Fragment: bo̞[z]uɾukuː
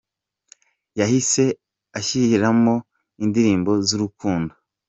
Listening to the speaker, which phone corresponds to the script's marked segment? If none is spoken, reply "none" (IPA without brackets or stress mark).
z